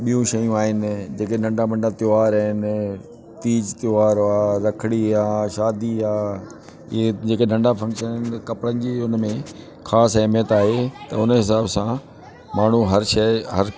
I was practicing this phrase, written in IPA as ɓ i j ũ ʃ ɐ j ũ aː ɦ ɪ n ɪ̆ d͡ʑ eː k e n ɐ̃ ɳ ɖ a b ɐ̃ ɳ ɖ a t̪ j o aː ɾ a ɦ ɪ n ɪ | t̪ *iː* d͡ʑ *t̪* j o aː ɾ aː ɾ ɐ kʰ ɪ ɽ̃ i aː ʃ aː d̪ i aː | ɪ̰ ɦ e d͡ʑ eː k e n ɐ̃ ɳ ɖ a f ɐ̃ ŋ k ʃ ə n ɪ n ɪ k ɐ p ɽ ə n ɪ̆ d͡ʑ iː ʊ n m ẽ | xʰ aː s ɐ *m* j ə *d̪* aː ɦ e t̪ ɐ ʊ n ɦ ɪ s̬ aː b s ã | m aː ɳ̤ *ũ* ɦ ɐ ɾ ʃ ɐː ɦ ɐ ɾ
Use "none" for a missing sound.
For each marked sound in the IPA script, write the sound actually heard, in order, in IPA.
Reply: iː, t̪, m, t̪, u

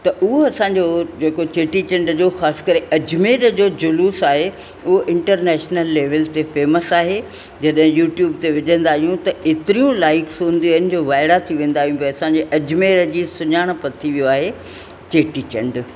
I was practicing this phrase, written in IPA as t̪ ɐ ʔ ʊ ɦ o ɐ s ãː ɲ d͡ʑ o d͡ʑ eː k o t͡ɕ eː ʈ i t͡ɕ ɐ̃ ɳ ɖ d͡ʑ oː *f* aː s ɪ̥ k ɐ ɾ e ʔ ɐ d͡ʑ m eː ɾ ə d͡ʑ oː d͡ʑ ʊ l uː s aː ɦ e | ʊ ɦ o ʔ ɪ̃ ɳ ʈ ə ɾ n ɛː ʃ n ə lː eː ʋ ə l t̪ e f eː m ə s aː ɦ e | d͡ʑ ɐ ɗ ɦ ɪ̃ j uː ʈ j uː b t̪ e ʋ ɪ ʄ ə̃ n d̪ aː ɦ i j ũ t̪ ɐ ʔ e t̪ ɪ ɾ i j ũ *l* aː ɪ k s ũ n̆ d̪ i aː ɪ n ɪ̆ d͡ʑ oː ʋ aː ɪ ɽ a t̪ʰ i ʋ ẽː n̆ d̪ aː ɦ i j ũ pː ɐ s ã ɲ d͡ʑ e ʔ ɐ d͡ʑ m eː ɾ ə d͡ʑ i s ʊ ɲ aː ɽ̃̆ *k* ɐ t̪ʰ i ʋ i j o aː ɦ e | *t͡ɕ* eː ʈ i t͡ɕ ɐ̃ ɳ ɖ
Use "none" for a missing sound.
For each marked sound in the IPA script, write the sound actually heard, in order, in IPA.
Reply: x, l, p, t͡ɕ

